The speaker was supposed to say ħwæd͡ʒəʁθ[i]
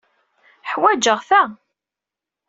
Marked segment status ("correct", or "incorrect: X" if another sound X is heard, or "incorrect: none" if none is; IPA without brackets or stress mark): incorrect: æ